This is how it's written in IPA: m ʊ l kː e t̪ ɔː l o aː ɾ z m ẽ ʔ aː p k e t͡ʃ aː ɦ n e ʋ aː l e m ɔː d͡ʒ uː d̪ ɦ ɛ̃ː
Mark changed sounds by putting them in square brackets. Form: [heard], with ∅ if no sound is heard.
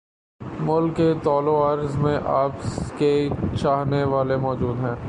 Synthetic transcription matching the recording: m ʊ l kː e t̪ ɔː l o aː ɾ z m ẽ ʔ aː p k e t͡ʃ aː ɦ n e ʋ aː l e m ɔː d͡ʒ uː d̪ ɦ ɛ̃ː